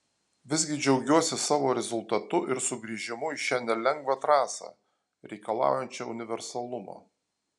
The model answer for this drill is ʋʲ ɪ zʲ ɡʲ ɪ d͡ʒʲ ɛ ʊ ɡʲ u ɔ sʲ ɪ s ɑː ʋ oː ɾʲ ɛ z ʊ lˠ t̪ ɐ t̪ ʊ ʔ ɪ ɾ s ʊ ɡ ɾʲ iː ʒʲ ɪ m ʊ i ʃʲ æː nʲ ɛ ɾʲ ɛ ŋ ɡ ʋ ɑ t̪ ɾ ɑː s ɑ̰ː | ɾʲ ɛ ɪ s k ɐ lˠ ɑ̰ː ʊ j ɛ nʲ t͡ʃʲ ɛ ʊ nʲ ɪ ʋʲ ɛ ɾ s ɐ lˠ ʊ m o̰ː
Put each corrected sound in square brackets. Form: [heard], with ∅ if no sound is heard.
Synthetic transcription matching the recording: ʋʲ ɪ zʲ ɡʲ ɪ d͡ʒʲ ɛ ʊ ɡʲ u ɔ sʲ ɪ s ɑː ʋ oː ɾʲ ɛ z ʊ lˠ t̪ ɐ t̪ ʊ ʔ ɪ ɾ s ʊ ɡ ɾʲ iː ʒʲ ɪ m ʊ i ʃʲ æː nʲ ɛ [lʲ] ɛ ŋ ɡ ʋ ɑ t̪ ɾ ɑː s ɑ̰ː | ɾʲ ɛ ɪ [∅] k ɐ lˠ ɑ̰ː ʊ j ɛ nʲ t͡ʃʲ ɛ ʊ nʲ ɪ ʋʲ ɛ ɾ s ɐ lˠ ʊ m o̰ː